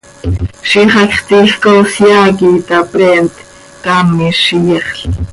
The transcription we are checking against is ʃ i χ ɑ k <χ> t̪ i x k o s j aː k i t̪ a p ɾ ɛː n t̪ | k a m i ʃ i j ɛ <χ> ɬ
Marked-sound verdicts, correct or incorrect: correct, correct

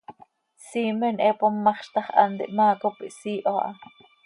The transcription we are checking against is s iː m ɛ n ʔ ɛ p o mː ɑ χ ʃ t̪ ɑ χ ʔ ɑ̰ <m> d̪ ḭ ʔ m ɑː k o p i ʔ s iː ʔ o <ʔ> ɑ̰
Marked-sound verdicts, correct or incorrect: incorrect: n, correct

